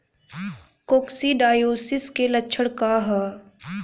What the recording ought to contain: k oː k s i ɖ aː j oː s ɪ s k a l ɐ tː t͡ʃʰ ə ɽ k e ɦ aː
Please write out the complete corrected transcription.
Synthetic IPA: k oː k s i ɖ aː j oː s ɪ s k e l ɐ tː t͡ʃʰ ə ɽ k a ɦ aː